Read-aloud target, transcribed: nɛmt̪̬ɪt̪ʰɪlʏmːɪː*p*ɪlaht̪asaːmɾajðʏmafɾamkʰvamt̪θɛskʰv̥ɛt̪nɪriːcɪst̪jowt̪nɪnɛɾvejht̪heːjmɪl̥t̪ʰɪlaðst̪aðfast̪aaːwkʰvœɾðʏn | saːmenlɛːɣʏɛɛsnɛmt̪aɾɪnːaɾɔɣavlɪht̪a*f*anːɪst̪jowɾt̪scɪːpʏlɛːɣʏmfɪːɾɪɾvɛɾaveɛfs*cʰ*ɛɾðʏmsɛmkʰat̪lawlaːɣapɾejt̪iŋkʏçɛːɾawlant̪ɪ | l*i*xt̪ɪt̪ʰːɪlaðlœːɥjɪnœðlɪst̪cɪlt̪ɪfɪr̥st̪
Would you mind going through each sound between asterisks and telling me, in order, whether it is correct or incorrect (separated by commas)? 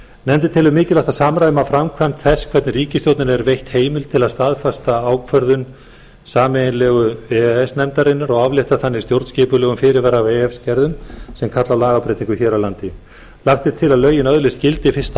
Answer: incorrect, incorrect, incorrect, incorrect